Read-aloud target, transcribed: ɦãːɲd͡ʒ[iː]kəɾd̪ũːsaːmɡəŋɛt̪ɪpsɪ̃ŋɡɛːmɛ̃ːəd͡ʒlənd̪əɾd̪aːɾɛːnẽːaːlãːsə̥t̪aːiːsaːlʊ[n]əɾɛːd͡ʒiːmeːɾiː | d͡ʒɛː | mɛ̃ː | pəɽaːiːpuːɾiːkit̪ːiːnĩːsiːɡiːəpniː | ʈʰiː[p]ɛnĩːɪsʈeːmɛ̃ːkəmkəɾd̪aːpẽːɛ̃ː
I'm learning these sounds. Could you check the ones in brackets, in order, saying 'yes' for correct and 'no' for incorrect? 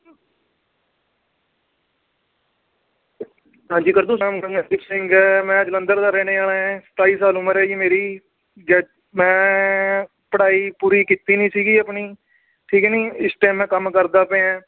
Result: yes, no, no

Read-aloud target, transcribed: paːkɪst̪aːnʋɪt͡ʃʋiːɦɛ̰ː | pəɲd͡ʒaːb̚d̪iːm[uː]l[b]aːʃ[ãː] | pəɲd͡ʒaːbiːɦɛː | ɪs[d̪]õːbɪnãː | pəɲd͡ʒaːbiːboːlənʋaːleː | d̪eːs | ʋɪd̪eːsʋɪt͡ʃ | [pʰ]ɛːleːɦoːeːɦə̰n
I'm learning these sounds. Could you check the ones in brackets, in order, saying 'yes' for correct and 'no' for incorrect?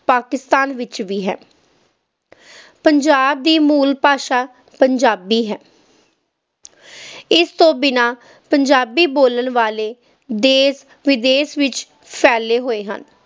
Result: yes, no, no, no, yes

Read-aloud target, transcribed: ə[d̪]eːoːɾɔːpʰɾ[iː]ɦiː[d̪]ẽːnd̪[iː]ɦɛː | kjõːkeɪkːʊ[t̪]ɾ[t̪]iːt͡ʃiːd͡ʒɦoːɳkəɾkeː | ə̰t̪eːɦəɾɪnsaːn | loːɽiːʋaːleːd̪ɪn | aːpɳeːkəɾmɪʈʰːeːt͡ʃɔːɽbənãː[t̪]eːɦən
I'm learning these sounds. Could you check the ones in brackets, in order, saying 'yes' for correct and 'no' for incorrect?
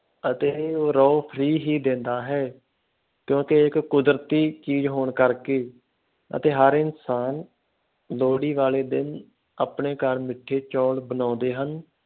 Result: no, yes, yes, no, no, yes, no

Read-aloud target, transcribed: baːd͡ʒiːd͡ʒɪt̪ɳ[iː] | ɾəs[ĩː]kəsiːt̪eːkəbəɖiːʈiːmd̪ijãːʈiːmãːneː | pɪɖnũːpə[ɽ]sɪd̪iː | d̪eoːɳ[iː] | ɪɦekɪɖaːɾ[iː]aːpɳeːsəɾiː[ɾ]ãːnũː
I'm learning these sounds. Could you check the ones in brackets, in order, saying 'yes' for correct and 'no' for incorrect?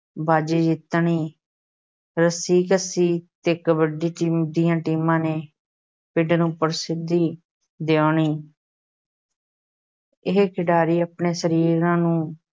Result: yes, no, no, yes, yes, yes

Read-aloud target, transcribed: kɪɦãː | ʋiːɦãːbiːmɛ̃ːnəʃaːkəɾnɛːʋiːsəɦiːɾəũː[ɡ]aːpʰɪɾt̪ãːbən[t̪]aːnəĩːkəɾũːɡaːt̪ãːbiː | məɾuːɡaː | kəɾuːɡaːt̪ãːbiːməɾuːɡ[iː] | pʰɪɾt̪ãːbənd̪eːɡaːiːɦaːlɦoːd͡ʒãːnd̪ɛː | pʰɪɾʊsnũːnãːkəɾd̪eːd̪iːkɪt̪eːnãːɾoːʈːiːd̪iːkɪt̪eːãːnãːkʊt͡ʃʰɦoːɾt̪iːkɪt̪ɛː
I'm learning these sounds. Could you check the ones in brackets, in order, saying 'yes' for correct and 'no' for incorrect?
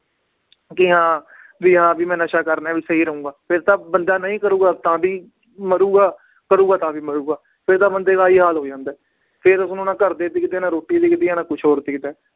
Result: yes, no, no

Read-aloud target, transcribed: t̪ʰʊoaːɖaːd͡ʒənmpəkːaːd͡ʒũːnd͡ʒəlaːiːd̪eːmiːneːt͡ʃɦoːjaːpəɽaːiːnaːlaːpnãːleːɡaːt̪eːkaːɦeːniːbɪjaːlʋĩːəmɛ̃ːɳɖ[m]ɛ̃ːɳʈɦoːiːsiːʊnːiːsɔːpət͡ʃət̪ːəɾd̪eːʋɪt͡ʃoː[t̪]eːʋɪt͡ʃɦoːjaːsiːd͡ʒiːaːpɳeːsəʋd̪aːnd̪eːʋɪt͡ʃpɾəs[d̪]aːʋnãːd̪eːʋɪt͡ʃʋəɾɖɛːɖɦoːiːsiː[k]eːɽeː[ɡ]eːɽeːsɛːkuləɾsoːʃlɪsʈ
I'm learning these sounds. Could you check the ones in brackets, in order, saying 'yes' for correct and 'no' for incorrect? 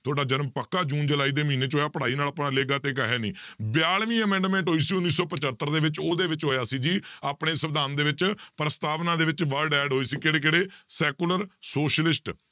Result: yes, no, no, yes, no

